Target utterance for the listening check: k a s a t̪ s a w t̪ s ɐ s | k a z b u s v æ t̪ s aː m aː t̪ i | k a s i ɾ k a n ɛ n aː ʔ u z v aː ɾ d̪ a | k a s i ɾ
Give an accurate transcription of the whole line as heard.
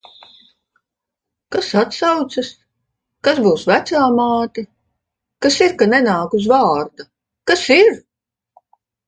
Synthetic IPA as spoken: k a s a t̪ s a w t̪ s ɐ s | k a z b uː s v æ t̪ s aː m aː t̪ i | k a s i ɾ k a n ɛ n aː k u z v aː ɾ d̪ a | k a s i ɾ